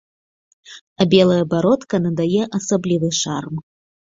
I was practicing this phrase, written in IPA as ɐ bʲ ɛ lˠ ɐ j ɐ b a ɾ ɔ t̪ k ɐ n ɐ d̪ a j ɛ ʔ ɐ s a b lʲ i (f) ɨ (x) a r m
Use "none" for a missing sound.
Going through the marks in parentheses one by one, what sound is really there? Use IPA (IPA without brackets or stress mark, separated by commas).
v, ʂ